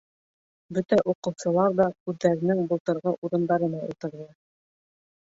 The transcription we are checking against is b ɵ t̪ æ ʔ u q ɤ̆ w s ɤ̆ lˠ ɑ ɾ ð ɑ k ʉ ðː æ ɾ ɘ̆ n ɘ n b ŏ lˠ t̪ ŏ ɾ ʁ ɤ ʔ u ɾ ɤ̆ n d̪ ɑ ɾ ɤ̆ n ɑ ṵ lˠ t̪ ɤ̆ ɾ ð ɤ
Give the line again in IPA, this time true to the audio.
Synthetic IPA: b ɵ t̪ æ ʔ u q ɤ̆ w s ɤ̆ lˠ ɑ ɾ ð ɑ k ʉ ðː æ ɾ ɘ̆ n ɘ ŋ b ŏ lˠ t̪ ɤ̆ ɾ ʁ ɤ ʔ u ɾ ɤ̆ n d̪ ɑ ɾ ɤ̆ n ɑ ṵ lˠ t̪ ɤ̆ ɾ ð ɤ